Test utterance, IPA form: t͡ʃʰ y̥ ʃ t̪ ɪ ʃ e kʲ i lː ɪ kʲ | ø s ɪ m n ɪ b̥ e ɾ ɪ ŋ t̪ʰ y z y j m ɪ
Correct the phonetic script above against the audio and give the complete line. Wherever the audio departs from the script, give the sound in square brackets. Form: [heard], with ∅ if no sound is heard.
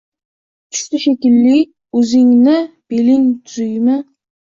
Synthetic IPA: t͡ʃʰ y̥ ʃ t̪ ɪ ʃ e kʲ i lː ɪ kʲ | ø [z] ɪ [ŋ] n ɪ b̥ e [l] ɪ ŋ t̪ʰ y z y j m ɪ